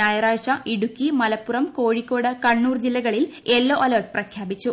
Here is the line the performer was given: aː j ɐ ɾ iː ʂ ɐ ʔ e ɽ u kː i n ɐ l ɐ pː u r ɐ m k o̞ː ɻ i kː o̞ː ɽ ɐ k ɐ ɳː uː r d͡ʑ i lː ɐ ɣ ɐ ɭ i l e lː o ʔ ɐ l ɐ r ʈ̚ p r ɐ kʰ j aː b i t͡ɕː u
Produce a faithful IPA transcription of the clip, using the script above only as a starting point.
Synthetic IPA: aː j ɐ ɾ aː ʂ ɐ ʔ i ɽ u kː i m ɐ l ɐ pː u r ɐ m k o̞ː ɻ i kː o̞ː ɽ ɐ k ɐ ɳː uː r d͡ʑ i lː ɐ ɣ ɐ ɭ i l e lː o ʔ ɐ l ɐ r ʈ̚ p r ɐ kʰ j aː b i t͡ɕː u